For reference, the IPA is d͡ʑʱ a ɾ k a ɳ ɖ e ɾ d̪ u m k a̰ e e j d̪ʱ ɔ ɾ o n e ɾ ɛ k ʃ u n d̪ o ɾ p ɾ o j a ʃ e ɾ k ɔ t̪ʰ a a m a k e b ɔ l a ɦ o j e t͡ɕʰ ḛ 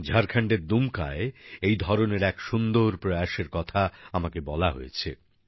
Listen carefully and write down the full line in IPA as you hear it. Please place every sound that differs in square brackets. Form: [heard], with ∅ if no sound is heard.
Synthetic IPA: d͡ʑʱ a ɾ [kʰ] a ɳ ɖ e ɾ d̪ u m k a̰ e e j d̪ʱ ɔ ɾ o n e ɾ ɛ k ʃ u n d̪ o ɾ p ɾ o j a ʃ e ɾ k ɔ t̪ʰ a a m a k e b ɔ l a ɦ o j e t͡ɕʰ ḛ